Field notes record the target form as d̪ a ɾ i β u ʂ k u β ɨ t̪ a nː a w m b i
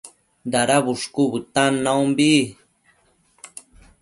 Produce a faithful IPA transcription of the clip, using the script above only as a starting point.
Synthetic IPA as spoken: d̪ a ɾ a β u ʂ k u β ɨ t̪ a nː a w m b i